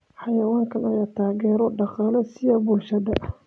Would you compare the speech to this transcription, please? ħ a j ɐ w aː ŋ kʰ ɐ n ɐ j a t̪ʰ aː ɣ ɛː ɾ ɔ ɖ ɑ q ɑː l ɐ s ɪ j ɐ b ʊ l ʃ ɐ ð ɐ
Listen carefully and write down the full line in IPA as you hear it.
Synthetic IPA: ħ ɑ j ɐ w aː ŋ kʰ ɐ n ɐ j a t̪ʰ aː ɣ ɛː ɾ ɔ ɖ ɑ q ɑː l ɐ s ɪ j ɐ b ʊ l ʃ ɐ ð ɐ